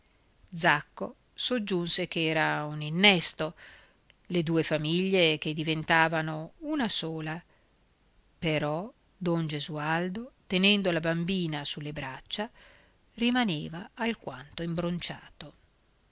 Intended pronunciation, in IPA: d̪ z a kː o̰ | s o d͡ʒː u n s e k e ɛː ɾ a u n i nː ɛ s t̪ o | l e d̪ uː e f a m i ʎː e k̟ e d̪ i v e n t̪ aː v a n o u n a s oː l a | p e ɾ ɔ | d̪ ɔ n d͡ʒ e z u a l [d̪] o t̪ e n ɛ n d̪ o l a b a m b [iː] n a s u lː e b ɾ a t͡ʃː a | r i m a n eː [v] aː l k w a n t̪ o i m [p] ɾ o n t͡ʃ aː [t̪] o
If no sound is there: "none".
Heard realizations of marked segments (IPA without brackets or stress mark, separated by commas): d̪, iː, v, b, t̪